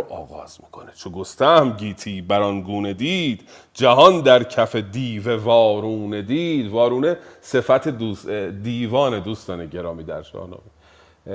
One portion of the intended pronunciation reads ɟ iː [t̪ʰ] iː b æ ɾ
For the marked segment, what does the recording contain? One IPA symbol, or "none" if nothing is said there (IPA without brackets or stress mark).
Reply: t̪ʰ